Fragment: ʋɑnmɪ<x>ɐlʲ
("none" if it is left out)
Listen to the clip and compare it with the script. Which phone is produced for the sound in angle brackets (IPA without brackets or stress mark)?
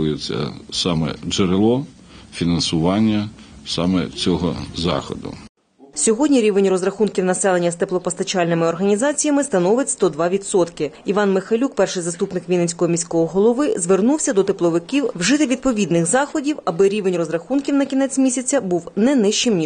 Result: x